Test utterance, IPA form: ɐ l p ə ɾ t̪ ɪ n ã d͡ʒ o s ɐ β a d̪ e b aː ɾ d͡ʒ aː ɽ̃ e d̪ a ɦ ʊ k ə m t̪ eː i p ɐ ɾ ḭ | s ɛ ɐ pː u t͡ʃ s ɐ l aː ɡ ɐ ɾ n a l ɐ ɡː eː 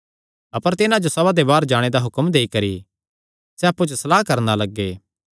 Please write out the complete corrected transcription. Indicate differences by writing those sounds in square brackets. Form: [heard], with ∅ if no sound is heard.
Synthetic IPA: ɐ [∅] p ə ɾ t̪ ɪ n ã d͡ʒ o s ɐ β a d̪ e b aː ɾ d͡ʒ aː ɽ̃ e d̪ a ɦ ʊ k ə m [d̪] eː i [k] ɐ ɾ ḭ | s ɛ ɐ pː u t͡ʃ s ɐ l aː [k] ɐ ɾ n a l ɐ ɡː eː